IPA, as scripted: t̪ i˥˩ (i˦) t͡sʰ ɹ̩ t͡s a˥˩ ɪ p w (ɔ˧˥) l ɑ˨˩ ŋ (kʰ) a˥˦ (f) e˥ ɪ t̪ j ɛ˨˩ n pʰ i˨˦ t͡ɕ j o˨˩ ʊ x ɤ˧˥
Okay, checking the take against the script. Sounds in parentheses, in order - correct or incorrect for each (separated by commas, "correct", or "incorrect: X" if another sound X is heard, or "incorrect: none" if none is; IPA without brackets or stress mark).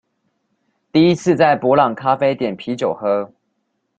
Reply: correct, correct, correct, correct